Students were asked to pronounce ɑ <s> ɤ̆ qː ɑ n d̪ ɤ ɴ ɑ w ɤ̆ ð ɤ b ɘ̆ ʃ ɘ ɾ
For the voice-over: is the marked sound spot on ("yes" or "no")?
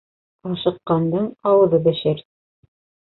no